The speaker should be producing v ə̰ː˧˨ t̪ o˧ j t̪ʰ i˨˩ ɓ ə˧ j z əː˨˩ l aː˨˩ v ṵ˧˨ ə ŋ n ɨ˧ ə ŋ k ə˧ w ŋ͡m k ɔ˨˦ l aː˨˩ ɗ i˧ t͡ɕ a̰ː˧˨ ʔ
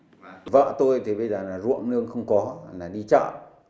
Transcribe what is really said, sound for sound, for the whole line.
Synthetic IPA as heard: v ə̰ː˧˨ t̪ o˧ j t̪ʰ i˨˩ ɓ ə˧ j z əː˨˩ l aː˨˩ z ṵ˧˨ ə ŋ n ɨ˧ ə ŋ x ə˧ w ŋ͡m k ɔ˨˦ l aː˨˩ ɗ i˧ t͡ɕ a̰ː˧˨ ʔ